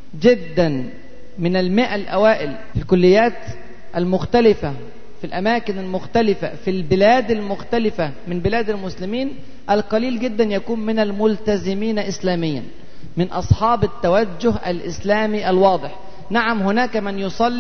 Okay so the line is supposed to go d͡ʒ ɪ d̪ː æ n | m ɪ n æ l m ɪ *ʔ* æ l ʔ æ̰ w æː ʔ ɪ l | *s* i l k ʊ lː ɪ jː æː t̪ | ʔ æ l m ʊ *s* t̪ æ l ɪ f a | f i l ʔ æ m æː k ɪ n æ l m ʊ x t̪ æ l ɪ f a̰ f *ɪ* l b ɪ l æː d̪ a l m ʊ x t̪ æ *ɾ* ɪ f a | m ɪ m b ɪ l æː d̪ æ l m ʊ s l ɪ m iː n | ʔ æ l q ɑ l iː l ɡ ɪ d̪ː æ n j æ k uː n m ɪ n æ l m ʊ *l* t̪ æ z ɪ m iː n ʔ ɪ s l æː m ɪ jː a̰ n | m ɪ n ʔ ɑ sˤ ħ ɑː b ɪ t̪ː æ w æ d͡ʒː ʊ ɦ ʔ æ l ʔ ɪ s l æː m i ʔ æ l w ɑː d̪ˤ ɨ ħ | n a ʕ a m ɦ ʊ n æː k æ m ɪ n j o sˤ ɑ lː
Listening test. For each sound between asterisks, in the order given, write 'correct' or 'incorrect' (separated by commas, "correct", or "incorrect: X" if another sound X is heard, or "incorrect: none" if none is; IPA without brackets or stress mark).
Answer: correct, incorrect: f, incorrect: x, incorrect: i, incorrect: l, correct